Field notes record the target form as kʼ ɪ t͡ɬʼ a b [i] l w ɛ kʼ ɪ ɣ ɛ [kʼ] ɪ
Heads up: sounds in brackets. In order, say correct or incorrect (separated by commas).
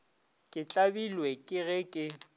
correct, correct